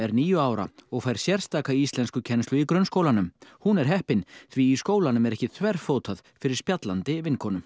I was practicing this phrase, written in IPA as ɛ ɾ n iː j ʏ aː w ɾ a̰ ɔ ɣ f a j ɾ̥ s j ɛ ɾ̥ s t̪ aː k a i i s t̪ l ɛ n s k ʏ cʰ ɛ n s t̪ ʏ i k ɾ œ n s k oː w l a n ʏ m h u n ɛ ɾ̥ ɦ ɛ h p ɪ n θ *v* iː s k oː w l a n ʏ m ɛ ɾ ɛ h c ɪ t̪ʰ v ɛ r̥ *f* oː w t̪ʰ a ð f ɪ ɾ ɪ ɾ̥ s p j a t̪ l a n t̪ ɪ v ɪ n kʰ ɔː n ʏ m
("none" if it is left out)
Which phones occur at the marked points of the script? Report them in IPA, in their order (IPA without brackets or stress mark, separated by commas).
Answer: v, f